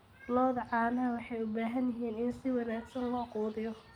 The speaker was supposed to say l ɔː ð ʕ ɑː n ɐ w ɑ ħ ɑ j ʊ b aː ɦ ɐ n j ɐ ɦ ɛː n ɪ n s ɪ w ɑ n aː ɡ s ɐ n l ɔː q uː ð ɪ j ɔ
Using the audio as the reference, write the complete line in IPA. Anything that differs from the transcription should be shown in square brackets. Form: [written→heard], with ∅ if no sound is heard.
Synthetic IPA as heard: l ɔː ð ʕ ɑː n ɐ w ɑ ħ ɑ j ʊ b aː ɦ ɐ n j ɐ ɦ [ɛː→iː] n ɪ n s ɪ w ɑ n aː ɡ s ɐ n l ɔː q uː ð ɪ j ɔ